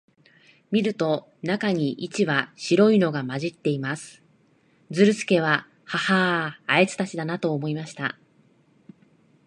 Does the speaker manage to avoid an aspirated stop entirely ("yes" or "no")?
yes